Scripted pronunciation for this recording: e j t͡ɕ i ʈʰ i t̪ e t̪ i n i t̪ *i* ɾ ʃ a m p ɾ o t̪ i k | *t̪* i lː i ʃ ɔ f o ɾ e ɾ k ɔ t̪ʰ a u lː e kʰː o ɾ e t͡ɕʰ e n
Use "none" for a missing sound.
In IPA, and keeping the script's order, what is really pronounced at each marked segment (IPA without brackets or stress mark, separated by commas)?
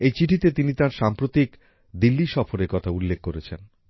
a, d̪